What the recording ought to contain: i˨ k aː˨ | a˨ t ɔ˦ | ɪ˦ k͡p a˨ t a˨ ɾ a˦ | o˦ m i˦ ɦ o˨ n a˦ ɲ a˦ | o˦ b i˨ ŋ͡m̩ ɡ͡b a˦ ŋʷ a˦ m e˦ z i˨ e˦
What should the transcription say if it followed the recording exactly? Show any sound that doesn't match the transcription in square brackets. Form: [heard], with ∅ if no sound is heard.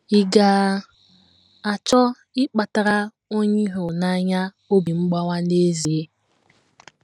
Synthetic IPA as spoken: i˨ [ɡ] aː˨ | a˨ [t͡ʃ] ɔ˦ | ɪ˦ k͡p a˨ t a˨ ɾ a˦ | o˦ [ɲ] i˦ ɦ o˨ n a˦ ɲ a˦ | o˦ b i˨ ŋ͡m̩ ɡ͡b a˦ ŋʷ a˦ [n] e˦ z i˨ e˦